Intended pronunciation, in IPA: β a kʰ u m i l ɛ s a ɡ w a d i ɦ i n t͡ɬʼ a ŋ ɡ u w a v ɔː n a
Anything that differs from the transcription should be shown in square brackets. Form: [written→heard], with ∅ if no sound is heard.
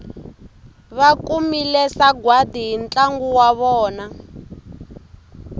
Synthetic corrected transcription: β a [kʰ→k] u m i l ɛ s a ɡ w a d i ɦ i n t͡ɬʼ a ŋ ɡ u w a [v→β] ɔː n a